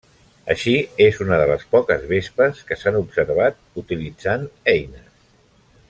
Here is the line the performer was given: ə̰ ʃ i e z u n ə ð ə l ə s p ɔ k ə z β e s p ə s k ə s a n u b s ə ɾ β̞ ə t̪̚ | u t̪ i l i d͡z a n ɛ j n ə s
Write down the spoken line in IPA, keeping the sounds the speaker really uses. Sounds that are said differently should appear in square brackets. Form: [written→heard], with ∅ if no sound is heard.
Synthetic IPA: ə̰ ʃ i e z u n ə ð ə l ə s p ɔ k ə z β e s p ə s k ə s a n u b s ə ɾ β̞ [ə→a] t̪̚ | u t̪ i l i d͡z a n ɛ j n ə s